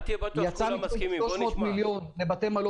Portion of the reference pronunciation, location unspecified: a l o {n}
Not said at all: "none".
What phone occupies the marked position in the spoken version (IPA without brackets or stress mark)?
none